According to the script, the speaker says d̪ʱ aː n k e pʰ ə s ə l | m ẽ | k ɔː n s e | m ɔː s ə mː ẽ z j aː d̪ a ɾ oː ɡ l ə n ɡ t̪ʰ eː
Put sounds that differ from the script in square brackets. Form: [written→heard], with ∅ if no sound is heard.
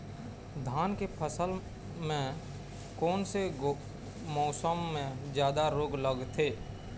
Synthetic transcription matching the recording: d̪ʱ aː n k e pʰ ə s ə l | m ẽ | k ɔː n s e | m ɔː s ə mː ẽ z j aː d̪ a ɾ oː ɡ l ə [n→∅] ɡ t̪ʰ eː

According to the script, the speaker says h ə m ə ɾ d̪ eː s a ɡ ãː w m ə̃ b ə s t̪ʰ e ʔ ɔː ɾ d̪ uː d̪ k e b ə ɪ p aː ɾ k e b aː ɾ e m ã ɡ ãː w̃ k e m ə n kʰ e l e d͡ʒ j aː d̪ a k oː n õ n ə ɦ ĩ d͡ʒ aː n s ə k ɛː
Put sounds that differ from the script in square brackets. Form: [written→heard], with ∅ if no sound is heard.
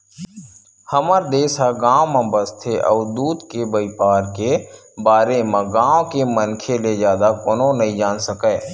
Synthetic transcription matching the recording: h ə m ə ɾ d̪ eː s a ɡ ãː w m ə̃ b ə s t̪ʰ e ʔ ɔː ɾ d̪ uː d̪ k e b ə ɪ p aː ɾ k e b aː ɾ e m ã ɡ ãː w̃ k e m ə n kʰ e l e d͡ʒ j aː d̪ a k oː n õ n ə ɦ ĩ d͡ʒ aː n s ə k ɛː

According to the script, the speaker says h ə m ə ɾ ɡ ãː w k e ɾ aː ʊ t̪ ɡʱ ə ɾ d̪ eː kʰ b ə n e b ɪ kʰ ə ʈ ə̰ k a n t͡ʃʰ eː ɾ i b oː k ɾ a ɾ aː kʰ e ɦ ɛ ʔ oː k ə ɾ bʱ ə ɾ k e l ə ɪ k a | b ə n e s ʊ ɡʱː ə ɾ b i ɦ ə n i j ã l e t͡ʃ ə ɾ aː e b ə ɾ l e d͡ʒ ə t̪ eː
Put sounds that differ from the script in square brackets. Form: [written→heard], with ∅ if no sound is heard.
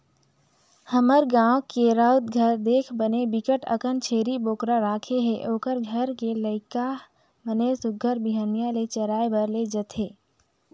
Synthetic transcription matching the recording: h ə m ə ɾ ɡ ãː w k e ɾ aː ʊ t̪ ɡʱ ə ɾ d̪ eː kʰ b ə n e b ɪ [kʰ→k] ə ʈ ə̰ k [a→ə] n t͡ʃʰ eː ɾ i b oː k ɾ a ɾ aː kʰ e ɦ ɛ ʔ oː k ə ɾ [bʱ→ɡʱ] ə ɾ k e l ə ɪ k a | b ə n e s ʊ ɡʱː ə ɾ b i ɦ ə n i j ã l e t͡ʃ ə ɾ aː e b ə ɾ l e d͡ʒ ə t̪ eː

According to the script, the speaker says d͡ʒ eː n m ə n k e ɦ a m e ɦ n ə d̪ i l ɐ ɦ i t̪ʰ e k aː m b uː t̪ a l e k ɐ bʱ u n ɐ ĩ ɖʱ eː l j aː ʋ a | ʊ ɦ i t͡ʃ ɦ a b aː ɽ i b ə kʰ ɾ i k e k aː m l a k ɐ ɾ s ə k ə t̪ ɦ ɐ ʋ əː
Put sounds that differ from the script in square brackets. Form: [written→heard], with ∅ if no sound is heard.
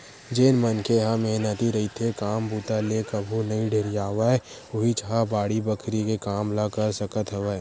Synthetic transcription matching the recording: d͡ʒ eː n m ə n k e ɦ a m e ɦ n ə [d̪→t̪] i [l→ɾ] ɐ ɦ i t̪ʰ e k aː m b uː t̪ a l e k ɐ bʱ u n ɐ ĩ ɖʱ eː [l→ɾ] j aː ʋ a | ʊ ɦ i t͡ʃ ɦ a b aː ɽ i b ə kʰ ɾ i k e k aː m l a k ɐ ɾ s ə k ə t̪ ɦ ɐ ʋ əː

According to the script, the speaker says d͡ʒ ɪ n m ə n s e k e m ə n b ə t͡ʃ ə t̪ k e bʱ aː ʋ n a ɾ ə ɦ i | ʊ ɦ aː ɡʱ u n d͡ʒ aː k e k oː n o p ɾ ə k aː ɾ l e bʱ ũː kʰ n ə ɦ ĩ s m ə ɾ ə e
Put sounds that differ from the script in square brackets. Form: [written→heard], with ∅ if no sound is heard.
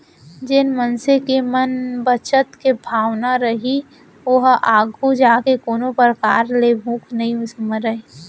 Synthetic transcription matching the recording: d͡ʒ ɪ n m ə n s e k e m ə n b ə t͡ʃ ə t̪ k e bʱ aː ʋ n a ɾ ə ɦ i | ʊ ɦ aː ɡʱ u [n→∅] d͡ʒ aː k e k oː n o p ɾ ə k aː ɾ l e bʱ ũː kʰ n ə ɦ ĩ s m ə ɾ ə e

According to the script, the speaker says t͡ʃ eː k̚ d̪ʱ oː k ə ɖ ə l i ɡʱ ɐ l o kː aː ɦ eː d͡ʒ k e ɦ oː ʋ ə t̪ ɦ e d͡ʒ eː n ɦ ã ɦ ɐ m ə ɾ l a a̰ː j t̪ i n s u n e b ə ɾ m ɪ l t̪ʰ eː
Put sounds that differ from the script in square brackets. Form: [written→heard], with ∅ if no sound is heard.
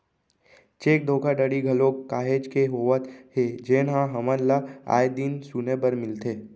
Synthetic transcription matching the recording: t͡ʃ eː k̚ d̪ʱ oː k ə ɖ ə [l→ɽ] i ɡʱ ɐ l o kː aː ɦ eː d͡ʒ k e ɦ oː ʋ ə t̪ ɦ e d͡ʒ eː n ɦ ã ɦ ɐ m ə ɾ l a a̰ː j [t̪→d̪] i n s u n e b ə ɾ m ɪ l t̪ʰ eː

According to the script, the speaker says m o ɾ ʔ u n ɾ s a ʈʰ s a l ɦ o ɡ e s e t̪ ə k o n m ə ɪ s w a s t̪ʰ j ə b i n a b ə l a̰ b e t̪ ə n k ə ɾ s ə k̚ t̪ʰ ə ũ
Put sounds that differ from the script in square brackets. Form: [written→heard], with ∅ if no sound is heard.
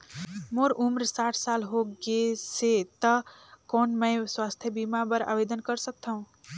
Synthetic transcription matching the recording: m o ɾ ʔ u [n→m] ɾ s a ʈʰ s a l ɦ o ɡ e s e t̪ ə k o n m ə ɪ s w a s t̪ʰ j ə b i [n→m] a b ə [l→ɾ] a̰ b e [t̪→d̪] ə n k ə ɾ s ə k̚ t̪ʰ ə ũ

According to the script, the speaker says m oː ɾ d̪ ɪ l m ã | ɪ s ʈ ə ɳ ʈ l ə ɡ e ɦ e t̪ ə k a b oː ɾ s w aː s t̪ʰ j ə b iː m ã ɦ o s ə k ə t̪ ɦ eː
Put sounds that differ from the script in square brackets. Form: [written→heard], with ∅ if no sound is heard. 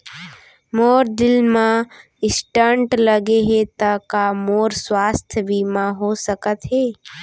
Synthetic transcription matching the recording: m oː ɾ d̪ ɪ l m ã | ɪ s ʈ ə ɳ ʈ l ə ɡ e ɦ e t̪ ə k a [b→m] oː ɾ s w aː s t̪ʰ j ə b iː m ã ɦ o s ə k ə t̪ ɦ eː

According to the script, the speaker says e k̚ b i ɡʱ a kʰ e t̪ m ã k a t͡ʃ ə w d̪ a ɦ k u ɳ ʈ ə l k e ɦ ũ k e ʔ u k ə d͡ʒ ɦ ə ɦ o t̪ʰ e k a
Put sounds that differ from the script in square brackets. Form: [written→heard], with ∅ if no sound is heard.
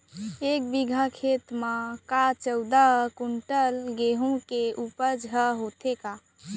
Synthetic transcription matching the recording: e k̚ b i ɡʱ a kʰ e t̪ m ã k a t͡ʃ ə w d̪ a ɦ k u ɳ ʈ ə l [k→ɡ] e ɦ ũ k e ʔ u [k→p] ə d͡ʒ ɦ ə ɦ o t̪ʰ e k a

